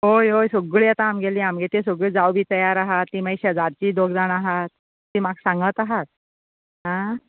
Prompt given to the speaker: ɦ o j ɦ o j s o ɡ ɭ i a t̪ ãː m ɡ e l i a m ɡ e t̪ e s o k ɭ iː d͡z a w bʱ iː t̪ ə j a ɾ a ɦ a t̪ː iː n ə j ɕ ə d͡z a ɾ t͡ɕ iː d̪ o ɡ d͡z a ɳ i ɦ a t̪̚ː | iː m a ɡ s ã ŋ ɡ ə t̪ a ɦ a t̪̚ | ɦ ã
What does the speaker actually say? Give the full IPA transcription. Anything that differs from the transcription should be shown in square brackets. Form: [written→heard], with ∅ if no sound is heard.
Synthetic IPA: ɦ o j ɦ o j s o ɡ ɭ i a t̪ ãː m ɡ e l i a m ɡ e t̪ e s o [k→ɡ] ɭ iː d͡z a w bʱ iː t̪ ə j a ɾ a ɦ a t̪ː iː [n→m] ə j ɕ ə d͡z a ɾ t͡ɕ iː d̪ o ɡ d͡z a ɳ [i→a] ɦ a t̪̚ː | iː m a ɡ s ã ŋ ɡ ə t̪ a ɦ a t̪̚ | ɦ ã